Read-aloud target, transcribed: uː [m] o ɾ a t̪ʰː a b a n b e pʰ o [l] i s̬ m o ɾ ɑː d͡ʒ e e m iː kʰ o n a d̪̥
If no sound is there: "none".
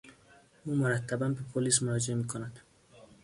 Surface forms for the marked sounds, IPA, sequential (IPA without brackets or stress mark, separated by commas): m, l